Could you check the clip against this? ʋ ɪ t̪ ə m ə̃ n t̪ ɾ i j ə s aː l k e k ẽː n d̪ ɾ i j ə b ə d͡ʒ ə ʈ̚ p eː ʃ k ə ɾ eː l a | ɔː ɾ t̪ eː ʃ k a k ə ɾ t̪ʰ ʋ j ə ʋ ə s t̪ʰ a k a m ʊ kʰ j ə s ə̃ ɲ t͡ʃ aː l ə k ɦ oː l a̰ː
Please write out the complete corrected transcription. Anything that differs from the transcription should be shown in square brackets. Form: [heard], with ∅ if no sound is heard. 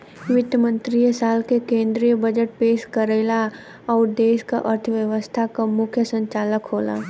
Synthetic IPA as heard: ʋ ɪ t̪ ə m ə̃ n t̪ ɾ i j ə s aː l k e k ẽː n d̪ ɾ i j ə b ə d͡ʒ ə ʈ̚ p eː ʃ k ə ɾ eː l a | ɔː ɾ [d̪] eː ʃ k a [ʔ] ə ɾ t̪ʰ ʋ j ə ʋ ə s t̪ʰ a k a m ʊ kʰ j ə s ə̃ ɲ t͡ʃ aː l ə k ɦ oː l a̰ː